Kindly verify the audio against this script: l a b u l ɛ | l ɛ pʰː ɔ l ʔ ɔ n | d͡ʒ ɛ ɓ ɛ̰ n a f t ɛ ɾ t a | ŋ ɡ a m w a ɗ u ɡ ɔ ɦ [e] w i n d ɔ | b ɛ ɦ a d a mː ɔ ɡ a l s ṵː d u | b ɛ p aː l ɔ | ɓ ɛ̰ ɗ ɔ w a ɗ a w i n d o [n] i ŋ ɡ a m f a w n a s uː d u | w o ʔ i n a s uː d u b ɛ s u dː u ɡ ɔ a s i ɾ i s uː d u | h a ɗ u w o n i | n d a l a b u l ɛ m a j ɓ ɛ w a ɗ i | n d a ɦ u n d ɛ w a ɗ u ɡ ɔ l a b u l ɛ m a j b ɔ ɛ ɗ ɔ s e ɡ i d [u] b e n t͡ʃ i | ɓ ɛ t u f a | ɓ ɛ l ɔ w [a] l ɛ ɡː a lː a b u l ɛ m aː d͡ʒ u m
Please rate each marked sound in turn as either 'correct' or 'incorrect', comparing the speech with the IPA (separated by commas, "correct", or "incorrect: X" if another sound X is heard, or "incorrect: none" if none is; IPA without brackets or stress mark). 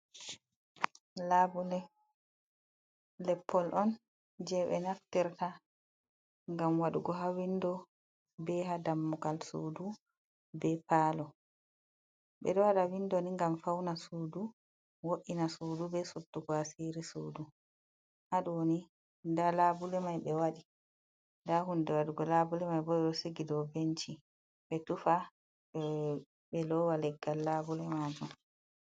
incorrect: a, correct, incorrect: ɔ, correct